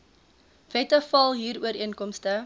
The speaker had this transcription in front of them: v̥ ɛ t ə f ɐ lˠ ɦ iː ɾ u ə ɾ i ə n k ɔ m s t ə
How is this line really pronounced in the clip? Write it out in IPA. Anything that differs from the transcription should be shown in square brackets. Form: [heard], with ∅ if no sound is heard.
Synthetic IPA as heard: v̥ ɛ t ə f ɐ lˠ ɦ iː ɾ u ə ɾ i ə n k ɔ m s t ə

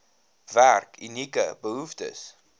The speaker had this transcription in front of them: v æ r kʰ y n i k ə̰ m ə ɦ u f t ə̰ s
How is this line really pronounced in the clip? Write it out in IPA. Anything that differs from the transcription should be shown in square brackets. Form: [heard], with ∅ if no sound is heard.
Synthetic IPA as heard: v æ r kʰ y n i k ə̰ [b] ə ɦ u f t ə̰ s

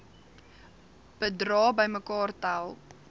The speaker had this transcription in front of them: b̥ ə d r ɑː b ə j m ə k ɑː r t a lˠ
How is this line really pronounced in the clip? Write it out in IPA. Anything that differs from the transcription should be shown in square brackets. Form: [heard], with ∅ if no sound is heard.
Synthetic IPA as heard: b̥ ə d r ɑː b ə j m ə k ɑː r t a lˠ

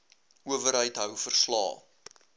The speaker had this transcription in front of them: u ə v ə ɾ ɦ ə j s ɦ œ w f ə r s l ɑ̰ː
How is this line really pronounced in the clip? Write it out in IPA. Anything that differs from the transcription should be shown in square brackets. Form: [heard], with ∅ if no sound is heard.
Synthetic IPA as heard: u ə v ə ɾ ɦ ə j [t] ɦ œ w f ə r s l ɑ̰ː

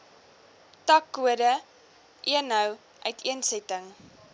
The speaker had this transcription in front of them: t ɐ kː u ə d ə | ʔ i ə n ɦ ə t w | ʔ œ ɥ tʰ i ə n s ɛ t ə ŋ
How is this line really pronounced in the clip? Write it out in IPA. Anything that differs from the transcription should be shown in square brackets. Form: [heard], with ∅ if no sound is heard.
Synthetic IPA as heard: t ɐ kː u ə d ə | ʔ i ə n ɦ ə [∅] w | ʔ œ ɥ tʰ i ə n s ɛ t ə ŋ

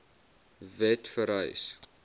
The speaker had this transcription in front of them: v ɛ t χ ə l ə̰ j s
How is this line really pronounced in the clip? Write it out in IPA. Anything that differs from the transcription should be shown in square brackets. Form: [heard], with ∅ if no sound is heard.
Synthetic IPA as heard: v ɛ t [f] ə [ɾ] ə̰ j s

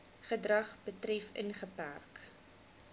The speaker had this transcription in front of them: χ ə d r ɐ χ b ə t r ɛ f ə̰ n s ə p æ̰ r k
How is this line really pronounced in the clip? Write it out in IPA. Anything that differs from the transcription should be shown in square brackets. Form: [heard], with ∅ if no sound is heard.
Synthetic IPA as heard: χ ə d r ɐ χ b ə t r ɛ f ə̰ n [χ] ə p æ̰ r k

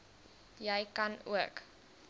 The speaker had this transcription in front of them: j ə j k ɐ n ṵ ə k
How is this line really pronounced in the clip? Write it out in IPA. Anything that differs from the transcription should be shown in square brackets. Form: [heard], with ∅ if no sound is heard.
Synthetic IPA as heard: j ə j k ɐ n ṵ ə k

